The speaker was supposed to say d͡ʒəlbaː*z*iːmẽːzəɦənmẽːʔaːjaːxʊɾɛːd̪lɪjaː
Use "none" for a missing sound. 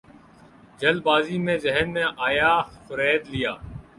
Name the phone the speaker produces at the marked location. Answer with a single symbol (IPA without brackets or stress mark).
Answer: z